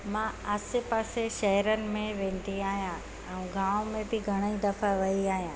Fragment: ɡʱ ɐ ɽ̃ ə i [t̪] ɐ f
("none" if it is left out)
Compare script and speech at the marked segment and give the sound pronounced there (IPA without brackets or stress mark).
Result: d̪